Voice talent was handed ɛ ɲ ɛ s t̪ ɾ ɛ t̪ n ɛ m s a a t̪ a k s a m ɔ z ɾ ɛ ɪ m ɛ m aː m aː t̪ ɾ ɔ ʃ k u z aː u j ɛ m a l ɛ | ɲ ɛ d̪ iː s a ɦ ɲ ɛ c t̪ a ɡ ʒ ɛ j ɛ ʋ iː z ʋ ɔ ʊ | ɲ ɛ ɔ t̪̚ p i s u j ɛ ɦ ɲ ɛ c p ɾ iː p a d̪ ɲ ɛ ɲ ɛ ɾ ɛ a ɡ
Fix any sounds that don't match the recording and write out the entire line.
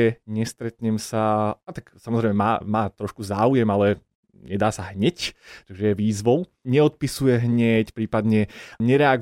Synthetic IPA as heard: ɛ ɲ ɛ s t̪ ɾ ɛ t̪ ɲ ɛ m s a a t̪ a k s a m ɔ z ɾ ɛ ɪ m ɛ m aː m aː t̪ ɾ ɔ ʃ k u z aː u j ɛ m a l ɛ | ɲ ɛ d̪ aː s a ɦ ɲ ɛ c t̪ a ɡ ʒ ɛ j ɛ ʋ iː z ʋ ɔ ʊ | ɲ ɛ ɔ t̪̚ p i s u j ɛ ɦ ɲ ɛ c p ɾ iː p a d̪ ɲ ɛ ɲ ɛ ɾ ɛ a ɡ